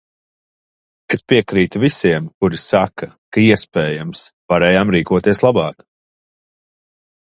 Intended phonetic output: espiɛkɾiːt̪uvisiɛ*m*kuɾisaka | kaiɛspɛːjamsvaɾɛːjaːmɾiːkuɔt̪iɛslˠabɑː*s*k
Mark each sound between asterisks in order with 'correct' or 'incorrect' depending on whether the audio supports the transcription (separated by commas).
correct, incorrect